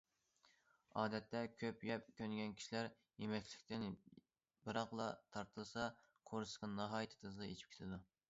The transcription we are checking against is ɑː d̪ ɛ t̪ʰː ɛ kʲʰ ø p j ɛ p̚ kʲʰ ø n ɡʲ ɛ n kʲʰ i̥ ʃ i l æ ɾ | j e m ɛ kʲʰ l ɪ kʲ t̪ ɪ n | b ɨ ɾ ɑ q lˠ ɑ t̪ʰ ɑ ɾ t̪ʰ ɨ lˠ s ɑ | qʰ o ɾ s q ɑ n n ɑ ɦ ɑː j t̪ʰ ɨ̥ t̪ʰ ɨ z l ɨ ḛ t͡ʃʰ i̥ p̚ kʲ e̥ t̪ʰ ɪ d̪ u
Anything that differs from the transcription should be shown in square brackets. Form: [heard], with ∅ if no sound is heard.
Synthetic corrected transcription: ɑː d̪ ɛ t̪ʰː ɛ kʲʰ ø p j ɛ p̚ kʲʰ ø n ɡʲ ɛ n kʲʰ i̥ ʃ i l æ ɾ | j e m ɛ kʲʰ l ɪ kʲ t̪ ɪ n | b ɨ ɾ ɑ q lˠ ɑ t̪ʰ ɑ ɾ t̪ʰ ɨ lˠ s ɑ | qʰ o ɾ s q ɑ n n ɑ ɦ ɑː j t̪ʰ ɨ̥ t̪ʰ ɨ z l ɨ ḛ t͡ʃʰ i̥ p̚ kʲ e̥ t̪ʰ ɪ d̪ u